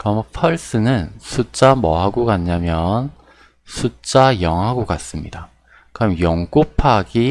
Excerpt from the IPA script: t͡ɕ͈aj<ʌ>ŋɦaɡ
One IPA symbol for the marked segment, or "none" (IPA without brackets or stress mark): ʌ